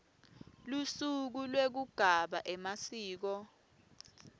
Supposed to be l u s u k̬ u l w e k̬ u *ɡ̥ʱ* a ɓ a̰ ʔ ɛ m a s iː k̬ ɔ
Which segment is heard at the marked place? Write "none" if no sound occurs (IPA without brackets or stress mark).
ɡ̥ʱ